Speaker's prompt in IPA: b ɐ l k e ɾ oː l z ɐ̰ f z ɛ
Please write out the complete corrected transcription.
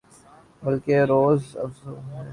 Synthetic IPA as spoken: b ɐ l k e ɾ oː z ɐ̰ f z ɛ